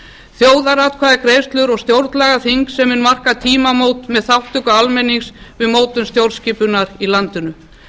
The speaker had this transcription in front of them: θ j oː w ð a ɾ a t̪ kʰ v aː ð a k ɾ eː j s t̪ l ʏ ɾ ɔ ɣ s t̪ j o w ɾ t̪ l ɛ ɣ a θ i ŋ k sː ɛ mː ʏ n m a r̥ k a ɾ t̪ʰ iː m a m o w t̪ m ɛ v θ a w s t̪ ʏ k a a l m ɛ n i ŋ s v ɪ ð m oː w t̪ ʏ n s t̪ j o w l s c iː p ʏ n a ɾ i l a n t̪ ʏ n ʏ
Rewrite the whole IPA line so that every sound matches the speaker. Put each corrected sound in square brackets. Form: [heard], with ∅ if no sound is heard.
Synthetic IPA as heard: θ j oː w ð a ɾ a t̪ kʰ v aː ð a k ɾ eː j s t̪ l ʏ ɾ ɔ ɣ s t̪ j o w ɾ t̪ l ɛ ɣ a θ i ŋ k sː ɛ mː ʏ n m a r̥ k a [∅] t̪ʰ iː m a m o w t̪ m ɛ [ð] θ a w [h] t̪ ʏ k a a l m ɛ n i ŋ s v ɪ ð m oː w t̪ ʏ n s t̪ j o w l s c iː p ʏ n a ɾ i l a n t̪ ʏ n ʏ